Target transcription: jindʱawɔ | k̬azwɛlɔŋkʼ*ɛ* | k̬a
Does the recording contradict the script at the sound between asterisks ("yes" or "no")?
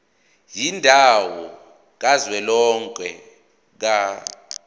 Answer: no